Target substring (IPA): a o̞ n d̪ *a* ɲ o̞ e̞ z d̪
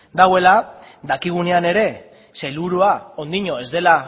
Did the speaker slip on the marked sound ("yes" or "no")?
yes